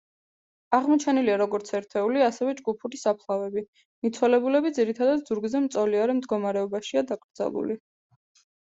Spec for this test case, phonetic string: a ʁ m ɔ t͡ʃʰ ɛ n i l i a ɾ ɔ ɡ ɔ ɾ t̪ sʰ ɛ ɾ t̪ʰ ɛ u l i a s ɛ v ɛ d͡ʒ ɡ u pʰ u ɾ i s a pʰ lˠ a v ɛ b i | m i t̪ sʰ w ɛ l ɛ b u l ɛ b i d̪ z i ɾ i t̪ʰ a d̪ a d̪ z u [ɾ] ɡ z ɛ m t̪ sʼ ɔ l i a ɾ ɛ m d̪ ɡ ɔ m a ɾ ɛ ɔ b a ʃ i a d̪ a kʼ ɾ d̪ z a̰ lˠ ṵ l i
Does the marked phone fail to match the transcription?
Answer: no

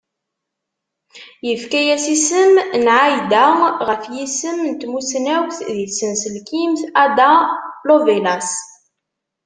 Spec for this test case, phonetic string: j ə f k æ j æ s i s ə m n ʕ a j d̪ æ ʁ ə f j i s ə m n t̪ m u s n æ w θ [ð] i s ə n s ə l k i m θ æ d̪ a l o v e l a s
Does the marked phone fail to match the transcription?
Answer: no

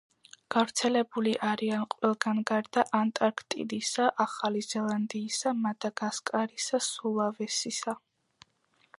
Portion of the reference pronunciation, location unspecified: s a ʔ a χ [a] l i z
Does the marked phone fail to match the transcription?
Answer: no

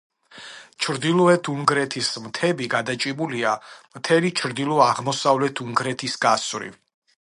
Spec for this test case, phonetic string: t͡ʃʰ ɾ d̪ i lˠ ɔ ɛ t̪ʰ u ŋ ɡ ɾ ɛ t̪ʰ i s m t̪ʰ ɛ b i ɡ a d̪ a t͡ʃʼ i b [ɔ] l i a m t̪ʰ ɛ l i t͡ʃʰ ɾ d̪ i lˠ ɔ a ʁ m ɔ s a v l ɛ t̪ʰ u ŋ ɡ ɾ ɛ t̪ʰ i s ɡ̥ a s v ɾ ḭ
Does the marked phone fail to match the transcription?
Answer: yes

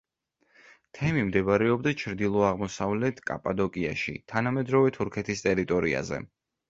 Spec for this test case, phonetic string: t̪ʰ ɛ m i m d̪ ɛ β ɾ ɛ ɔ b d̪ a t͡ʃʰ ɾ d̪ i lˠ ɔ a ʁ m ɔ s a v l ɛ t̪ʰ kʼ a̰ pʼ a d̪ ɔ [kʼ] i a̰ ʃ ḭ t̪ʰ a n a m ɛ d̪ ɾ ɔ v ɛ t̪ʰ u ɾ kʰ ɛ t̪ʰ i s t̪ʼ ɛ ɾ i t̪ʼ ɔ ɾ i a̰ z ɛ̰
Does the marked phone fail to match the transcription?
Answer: no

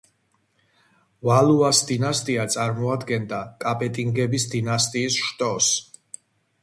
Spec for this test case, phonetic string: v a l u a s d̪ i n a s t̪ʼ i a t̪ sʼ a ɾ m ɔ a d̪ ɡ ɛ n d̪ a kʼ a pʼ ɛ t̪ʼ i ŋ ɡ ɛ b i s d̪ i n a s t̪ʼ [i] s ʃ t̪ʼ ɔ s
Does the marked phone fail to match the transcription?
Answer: yes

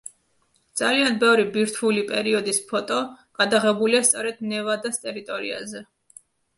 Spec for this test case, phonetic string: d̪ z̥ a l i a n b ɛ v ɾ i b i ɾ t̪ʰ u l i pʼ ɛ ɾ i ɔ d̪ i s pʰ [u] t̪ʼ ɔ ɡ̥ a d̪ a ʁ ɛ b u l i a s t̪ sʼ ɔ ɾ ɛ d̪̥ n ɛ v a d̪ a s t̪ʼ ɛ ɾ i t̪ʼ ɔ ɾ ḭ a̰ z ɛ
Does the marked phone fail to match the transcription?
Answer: yes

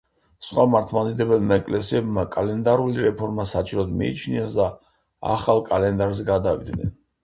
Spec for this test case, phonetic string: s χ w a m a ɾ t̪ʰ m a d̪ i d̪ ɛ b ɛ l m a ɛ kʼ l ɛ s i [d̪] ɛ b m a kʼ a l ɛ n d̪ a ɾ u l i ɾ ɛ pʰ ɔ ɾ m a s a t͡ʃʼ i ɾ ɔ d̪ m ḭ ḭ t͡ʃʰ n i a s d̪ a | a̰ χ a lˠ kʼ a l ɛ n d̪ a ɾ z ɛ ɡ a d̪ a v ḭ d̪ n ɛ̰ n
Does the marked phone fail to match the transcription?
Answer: yes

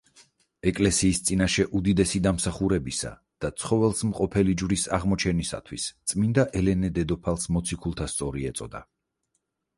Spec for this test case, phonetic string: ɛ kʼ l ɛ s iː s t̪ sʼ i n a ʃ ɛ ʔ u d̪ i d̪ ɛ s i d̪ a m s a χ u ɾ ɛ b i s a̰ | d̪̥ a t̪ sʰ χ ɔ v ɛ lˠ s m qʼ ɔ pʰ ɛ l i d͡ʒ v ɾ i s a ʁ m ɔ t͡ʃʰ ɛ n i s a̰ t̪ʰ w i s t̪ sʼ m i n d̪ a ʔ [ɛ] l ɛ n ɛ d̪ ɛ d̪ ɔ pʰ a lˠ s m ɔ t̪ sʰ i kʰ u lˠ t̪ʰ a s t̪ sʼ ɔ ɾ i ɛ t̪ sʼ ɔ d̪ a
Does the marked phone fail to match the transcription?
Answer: no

